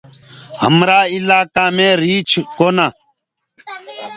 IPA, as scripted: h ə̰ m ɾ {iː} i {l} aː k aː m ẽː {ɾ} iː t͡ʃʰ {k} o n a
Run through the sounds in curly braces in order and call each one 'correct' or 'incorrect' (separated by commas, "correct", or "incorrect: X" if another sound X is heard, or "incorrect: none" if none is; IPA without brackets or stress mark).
incorrect: aː, correct, correct, correct